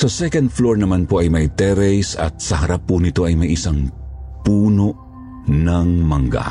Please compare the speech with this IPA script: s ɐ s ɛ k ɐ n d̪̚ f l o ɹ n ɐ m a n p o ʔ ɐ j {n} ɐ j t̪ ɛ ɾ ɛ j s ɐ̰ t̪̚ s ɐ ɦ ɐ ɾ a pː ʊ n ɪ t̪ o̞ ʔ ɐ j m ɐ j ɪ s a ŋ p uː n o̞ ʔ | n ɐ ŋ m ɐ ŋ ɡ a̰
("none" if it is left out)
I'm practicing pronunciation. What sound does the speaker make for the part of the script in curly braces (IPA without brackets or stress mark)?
m